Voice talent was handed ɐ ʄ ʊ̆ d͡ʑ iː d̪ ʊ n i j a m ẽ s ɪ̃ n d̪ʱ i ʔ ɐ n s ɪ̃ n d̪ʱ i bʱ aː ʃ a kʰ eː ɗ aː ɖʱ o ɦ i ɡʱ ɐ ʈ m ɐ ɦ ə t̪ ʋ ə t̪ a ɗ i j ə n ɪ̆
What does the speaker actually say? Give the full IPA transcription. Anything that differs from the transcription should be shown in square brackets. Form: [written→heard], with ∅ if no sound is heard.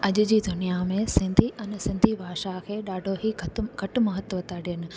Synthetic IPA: ɐ ʄ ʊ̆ d͡ʑ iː d̪ ʊ n i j a m ẽ s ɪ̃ n d̪ʱ i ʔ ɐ n s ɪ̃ n d̪ʱ i bʱ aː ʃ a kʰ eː ɗ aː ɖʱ o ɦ i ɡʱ ɐ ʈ m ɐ ɦ ə t̪ ʋ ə t̪ a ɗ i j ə n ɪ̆